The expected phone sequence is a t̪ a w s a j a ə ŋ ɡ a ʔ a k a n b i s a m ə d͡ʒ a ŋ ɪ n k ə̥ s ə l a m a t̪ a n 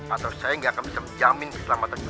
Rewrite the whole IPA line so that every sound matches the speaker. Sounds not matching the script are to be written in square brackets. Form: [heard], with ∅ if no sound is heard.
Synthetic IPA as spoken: a t̪ a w s a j a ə ŋ ɡ a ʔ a k a n b i s a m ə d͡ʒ a [m] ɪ n k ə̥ s ə l a m a t̪ a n